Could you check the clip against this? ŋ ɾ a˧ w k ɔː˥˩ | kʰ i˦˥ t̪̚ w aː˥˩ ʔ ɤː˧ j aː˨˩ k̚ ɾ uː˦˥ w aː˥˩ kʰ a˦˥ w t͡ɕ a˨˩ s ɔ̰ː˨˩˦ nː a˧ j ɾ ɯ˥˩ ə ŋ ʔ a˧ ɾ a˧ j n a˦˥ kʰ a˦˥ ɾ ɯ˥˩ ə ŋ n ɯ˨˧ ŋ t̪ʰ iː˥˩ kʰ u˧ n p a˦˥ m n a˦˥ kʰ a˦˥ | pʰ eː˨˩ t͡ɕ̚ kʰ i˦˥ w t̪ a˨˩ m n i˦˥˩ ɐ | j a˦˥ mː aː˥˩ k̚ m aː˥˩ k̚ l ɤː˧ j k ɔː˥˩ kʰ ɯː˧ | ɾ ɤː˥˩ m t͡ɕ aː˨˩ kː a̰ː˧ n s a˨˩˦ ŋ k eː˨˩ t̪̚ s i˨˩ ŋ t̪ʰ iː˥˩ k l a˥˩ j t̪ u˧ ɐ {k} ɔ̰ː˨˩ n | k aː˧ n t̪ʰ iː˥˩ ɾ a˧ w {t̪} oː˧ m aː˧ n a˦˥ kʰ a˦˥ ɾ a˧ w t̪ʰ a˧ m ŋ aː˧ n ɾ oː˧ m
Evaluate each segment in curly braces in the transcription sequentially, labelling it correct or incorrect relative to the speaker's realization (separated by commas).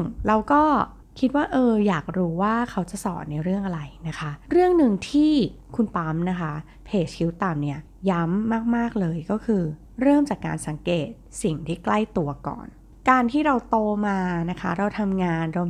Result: correct, correct